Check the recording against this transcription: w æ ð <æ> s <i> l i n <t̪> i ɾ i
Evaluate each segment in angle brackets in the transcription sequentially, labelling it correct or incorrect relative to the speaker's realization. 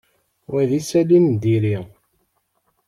incorrect: i, incorrect: æ, incorrect: d̪

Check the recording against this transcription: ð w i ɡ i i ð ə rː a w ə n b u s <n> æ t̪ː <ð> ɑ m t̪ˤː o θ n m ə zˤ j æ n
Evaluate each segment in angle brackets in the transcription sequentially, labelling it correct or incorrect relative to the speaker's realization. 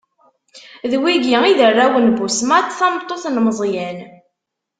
incorrect: m, incorrect: θ

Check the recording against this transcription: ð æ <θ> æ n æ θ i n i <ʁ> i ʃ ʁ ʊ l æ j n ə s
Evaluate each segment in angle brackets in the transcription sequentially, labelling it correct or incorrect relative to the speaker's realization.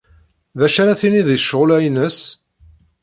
incorrect: ʃ, incorrect: ð

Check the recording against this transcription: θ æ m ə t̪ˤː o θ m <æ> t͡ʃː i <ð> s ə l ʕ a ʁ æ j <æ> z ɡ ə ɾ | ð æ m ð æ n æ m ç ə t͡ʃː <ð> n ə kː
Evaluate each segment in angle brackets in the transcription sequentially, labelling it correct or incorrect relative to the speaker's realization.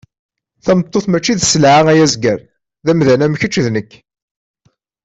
correct, correct, correct, correct

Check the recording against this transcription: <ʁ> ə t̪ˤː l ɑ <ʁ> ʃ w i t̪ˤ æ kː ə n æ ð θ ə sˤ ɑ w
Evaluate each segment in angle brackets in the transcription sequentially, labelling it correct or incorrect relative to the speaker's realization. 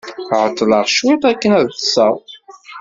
incorrect: ʕ, correct

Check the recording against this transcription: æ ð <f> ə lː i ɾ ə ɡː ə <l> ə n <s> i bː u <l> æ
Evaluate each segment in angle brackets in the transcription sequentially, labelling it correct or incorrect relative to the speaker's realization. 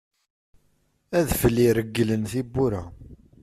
correct, correct, incorrect: θ, incorrect: ɾ

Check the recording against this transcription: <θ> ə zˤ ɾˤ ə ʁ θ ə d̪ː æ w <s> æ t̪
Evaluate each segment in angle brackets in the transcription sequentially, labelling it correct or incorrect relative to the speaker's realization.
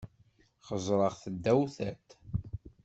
incorrect: χ, incorrect: θ

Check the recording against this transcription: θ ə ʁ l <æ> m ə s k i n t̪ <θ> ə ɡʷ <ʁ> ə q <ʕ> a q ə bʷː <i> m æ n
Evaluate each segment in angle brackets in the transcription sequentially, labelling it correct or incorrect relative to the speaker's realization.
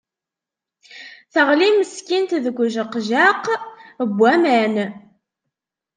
incorrect: i, incorrect: ð, incorrect: ʒ, incorrect: ʒ, incorrect: æ

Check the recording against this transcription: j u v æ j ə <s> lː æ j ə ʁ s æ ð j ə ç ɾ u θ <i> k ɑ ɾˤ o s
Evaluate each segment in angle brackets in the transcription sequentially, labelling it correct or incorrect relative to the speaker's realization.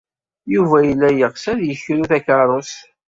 incorrect: none, incorrect: æ

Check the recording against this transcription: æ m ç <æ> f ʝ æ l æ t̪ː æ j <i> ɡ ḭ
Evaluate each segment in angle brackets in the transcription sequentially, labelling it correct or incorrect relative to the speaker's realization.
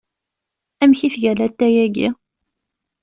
incorrect: i, incorrect: æ

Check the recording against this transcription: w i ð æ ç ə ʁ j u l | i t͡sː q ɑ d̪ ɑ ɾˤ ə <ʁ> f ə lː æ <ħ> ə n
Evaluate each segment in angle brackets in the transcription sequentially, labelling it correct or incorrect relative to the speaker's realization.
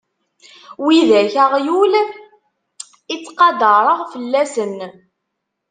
correct, incorrect: s

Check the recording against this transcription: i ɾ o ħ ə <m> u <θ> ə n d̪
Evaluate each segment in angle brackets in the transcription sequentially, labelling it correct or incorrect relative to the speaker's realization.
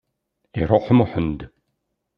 correct, incorrect: ħ

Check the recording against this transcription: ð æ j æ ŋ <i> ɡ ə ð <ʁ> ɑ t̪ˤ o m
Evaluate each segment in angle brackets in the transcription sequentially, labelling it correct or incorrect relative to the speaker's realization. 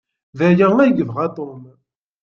incorrect: æ, correct

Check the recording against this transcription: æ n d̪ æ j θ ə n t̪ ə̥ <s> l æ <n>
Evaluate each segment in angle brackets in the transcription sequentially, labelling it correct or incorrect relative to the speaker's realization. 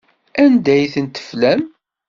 incorrect: f, incorrect: m

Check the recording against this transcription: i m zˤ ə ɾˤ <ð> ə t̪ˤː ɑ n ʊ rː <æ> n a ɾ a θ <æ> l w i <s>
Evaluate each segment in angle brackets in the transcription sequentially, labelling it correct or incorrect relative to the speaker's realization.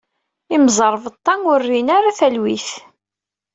incorrect: v, incorrect: i, correct, incorrect: θ

